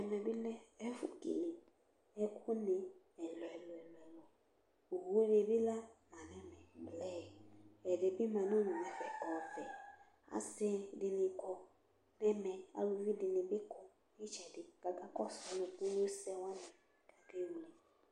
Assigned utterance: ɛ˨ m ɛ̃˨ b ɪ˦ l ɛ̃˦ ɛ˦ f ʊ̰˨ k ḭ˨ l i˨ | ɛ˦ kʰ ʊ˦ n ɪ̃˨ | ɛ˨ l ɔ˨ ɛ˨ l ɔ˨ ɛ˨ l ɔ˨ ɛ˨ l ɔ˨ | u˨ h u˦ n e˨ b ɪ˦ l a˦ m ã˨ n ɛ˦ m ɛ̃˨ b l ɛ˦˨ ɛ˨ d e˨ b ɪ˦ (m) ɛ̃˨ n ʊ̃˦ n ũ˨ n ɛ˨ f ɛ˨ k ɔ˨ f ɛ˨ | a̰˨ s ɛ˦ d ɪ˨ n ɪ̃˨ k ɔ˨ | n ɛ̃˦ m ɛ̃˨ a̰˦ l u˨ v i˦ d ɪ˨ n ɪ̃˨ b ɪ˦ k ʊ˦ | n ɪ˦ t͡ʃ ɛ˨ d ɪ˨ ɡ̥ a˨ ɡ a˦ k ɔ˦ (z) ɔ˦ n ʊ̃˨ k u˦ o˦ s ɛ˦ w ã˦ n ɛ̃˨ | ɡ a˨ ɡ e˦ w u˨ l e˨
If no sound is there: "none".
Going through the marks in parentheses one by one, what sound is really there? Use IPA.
m, s

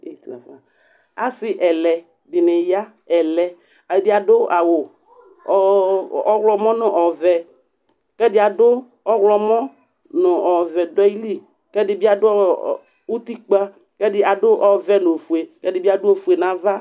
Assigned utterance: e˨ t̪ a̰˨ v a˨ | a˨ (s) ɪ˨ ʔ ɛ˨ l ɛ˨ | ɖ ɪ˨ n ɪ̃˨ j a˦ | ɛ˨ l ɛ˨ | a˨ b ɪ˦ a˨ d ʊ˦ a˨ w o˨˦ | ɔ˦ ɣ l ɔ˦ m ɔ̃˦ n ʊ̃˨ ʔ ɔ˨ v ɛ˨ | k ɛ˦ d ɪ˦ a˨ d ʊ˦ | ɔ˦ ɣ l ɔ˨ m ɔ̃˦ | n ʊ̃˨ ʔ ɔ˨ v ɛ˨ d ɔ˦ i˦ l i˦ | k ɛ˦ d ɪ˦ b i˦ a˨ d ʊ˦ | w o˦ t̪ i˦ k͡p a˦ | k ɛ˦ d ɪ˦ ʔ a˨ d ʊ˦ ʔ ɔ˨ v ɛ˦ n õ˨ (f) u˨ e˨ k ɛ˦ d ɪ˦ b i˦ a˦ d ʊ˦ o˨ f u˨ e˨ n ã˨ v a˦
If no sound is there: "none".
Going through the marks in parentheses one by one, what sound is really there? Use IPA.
s, f

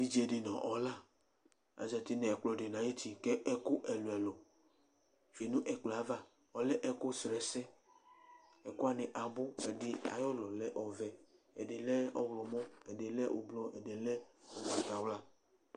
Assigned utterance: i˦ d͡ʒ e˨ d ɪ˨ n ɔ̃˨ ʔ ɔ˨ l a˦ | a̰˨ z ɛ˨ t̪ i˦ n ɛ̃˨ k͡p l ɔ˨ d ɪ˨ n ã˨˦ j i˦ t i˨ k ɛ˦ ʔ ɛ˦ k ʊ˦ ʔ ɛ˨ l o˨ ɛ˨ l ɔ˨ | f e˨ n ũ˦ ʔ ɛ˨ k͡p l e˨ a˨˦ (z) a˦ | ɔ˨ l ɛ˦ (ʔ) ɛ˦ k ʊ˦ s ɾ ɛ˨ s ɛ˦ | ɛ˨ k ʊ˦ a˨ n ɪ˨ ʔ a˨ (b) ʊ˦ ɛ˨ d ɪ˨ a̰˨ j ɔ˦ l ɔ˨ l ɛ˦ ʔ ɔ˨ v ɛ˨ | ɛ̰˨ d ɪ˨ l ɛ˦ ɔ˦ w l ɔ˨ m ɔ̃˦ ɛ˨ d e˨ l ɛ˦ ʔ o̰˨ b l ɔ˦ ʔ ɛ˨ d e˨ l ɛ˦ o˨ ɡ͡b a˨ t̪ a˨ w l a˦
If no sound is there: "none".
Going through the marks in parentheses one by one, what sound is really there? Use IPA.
v, ʔ, b

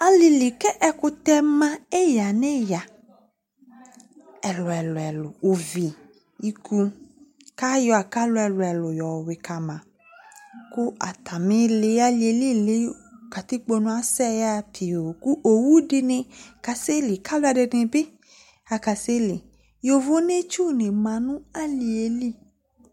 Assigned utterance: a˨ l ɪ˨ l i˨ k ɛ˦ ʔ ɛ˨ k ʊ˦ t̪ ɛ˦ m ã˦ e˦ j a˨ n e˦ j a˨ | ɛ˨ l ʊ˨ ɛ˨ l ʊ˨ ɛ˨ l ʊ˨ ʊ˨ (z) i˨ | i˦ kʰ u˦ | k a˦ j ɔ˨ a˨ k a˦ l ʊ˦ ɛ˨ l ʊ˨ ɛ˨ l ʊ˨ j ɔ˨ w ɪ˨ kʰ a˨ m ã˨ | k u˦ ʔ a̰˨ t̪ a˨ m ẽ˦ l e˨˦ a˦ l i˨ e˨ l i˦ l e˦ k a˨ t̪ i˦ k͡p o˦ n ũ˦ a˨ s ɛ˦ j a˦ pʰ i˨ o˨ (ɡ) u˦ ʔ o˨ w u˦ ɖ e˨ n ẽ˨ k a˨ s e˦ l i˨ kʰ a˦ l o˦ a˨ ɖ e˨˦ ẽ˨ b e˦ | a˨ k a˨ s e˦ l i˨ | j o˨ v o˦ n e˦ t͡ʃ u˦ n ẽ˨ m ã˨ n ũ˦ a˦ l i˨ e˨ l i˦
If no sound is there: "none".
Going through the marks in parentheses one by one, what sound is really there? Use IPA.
v, k

